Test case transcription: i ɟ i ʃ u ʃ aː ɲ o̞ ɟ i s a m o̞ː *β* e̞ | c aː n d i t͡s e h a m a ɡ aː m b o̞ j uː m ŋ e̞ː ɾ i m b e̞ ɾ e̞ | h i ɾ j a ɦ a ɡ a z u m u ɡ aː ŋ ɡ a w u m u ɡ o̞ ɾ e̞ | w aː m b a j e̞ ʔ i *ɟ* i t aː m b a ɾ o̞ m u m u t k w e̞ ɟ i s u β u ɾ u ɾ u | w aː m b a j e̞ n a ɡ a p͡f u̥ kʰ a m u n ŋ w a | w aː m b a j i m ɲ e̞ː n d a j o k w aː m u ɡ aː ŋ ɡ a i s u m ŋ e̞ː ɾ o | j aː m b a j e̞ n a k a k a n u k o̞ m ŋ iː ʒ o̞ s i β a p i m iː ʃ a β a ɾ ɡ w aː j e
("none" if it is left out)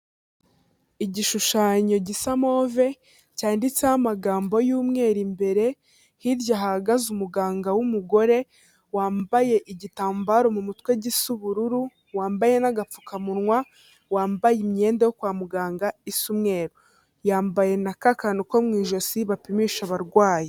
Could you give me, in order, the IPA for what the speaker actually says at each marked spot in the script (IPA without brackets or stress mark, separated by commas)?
v, ɟ